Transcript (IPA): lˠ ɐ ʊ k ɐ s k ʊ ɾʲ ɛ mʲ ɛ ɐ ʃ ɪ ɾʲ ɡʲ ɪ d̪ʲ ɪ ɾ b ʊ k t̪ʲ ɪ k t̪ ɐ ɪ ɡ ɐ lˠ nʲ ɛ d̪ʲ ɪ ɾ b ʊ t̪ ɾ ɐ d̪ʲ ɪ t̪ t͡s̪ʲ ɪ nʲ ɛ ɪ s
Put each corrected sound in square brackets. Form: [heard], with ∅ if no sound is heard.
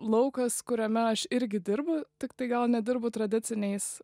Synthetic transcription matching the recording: lˠ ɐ ʊ k ɐ s k ʊ ɾʲ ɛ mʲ ɛ ɐ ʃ ɪ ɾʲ ɡʲ ɪ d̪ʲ ɪ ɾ b ʊ [∅] t̪ʲ ɪ k t̪ ɐ ɪ ɡ ɐ lˠ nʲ ɛ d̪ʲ ɪ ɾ b ʊ t̪ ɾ ɐ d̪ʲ ɪ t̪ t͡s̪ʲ ɪ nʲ ɛ ɪ s